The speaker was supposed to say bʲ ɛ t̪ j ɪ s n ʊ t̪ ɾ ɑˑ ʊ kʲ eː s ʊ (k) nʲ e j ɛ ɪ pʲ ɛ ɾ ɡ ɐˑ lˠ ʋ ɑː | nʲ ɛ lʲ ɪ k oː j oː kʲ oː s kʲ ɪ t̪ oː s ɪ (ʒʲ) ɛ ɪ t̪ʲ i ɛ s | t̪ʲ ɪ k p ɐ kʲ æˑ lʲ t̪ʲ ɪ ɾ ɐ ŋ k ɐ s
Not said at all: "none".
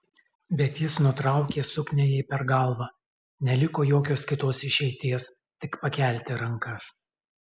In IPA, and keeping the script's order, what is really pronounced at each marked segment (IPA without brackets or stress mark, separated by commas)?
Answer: k, ʃʲ